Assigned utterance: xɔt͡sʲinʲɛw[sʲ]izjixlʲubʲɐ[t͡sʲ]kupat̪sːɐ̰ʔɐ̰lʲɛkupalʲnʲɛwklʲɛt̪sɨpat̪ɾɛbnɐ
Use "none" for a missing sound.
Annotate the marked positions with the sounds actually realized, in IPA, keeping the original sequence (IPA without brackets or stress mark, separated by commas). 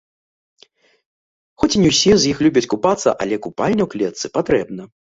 sʲ, t͡sʲ